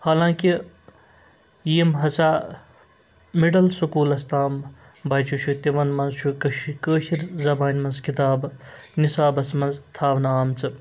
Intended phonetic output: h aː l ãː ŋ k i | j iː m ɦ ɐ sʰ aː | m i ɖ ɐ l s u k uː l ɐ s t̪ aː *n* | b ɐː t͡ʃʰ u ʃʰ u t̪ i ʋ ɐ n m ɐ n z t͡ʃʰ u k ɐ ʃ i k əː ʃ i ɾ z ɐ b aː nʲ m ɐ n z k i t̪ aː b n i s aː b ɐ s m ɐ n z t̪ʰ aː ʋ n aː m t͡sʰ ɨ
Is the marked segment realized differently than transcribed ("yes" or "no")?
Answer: yes